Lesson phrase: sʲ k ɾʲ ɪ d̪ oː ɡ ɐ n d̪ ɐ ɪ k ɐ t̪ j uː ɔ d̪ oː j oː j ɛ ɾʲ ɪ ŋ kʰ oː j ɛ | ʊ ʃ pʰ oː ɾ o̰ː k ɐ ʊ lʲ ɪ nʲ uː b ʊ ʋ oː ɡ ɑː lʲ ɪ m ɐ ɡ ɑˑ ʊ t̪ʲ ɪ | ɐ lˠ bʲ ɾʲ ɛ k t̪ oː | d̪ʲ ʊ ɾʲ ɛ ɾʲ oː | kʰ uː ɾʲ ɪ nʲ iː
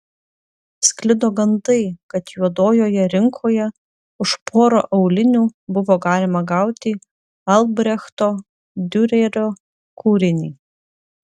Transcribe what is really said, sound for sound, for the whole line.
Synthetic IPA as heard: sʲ k lʲ ɪ d̪ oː ɡ ɐ n d̪ ɐ ɪ k ɐ t̪ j u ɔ d̪ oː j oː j ɛ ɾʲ ɪ ŋ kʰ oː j ɛ | ʊ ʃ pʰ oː ɾ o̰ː ʔ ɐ ʊ lʲ ɪ nʲ uː b ʊ ʋ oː ɡ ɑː lʲ ɪ m ɐ ɡ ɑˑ ʊ t̪ʲ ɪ | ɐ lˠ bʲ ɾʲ ɛ x t̪ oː | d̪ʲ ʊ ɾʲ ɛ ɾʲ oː | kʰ uː ɾʲ ɪ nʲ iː

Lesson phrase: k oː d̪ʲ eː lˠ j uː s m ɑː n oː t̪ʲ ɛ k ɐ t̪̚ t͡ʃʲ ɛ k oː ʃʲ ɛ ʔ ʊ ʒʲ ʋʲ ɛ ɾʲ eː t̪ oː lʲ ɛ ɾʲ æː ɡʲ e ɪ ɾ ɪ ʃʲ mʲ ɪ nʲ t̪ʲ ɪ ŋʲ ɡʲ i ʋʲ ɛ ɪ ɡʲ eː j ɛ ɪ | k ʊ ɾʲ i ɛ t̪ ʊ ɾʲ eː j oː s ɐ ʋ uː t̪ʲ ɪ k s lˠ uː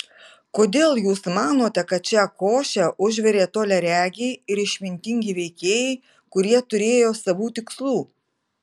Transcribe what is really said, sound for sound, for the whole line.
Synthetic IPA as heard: k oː d̪ʲ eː lˠ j uː s m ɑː n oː t̪ʲ ɛ k ɐ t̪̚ t͡ʃʲ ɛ k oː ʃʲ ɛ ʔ ʊ ʒʲ ʋʲ ɛ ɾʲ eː t̪ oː lʲ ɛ ɾʲ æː ɡʲ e ɪ ɾ ɪ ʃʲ mʲ ɪ nʲ t̪ʲ ɪ ŋʲ ɡʲ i ʋʲ ɛ ɪ kʲ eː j ɛ ɪ | k ʊ ɾʲ i ɛ t̪ ʊ ɾʲ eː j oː s ɐ ʋ uː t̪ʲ ɪ k s lˠ uː

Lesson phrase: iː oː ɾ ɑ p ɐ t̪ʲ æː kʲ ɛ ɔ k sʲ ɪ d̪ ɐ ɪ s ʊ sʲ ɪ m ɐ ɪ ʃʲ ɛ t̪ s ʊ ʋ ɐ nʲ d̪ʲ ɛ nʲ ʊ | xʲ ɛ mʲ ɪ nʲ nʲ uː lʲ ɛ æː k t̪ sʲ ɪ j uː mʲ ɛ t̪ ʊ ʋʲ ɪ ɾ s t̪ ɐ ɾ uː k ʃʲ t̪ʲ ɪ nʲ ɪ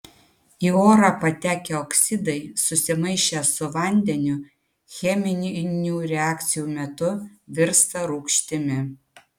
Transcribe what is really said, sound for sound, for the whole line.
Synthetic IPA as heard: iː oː ɾ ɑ p ɐ t̪ʲ æː kʲ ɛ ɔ k sʲ ɪ d̪ ɐ ɪ s ʊ sʲ ɪ m ɐ ɪ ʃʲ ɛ s ʊ ʋ ɐ nʲ d̪ʲ ɛ nʲ ʊ | xʲ ɛ mʲ ɪ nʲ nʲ uː ɾʲ ɛ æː k t̪ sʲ ɪ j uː mʲ ɛ t̪ ʊ ʋʲ ɪ ɾ s t̪ ɐ ɾ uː k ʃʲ t̪ʲ ɪ mʲ ɪ

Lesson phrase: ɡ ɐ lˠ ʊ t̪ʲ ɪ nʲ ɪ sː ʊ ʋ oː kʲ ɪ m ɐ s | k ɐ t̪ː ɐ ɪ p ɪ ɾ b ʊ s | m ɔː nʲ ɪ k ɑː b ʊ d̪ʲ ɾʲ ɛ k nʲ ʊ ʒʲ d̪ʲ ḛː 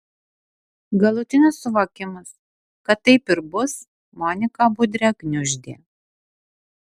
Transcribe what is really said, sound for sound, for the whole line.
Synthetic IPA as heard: ɡ ɐ lˠ ʊ t̪ʲ ɪ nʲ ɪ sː ʊ ʋ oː kʲ ɪ m ɐ s | k ɐ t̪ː ɐ ɪ p ɪ ɾ b ʊ s | m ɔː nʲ ɪ k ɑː b ʊ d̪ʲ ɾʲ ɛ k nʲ ʊ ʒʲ d̪ʲ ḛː

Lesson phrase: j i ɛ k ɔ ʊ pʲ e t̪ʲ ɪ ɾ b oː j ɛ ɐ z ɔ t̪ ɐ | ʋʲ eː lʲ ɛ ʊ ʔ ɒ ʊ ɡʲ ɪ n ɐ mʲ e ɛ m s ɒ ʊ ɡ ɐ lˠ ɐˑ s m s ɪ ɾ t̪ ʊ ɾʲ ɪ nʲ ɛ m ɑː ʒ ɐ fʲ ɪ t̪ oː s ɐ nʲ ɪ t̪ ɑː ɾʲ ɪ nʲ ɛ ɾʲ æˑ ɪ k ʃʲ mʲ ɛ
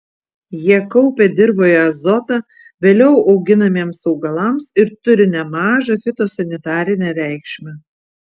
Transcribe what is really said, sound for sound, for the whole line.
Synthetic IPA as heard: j i ɛ k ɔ ʊ pʲ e d̪ʲ ɪ ɾ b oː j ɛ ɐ z ɔ t̪ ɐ | ʋʲ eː lʲ ɛ ʊ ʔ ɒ ʊ ɡʲ ɪ n ɐ mʲ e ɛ m s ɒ ʊ ɡ ɐ lˠ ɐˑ m s ɪ ɾ t̪ ʊ ɾʲ ɪ nʲ ɛ m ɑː ʒ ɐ fʲ ɪ t̪ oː s ɐ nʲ ɪ t̪ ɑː ɾʲ ɪ nʲ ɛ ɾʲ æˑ ɪ k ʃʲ mʲ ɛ

